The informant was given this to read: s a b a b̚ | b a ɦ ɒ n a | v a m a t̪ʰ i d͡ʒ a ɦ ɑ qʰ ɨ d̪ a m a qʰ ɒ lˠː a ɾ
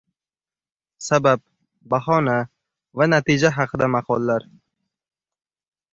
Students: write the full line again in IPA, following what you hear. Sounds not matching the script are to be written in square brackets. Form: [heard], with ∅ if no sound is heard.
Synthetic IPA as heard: s a b a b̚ | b a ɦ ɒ n a | v a [n] a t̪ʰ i d͡ʒ a ɦ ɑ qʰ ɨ d̪ a m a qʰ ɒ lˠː a ɾ